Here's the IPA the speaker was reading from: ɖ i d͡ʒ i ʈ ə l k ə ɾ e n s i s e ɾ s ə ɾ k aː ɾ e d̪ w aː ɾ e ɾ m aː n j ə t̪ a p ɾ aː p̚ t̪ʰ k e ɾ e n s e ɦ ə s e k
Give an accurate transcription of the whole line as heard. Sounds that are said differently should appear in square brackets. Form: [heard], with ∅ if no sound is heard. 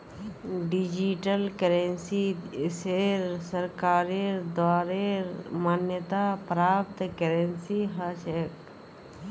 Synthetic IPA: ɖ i d͡ʒ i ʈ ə l k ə ɾ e n s i s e ɾ s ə ɾ k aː ɾ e d̪ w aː ɾ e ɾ m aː n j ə t̪ a p ɾ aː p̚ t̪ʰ k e ɾ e n s [i] ɦ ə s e k